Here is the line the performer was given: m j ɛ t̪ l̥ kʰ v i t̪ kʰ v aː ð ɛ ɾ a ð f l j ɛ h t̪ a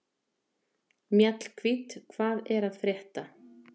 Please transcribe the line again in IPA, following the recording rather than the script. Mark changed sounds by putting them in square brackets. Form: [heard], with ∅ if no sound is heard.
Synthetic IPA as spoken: m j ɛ t̪ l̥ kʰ v i t̪ kʰ v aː ð ɛ ɾ a ð f [ɾ] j ɛ h t̪ a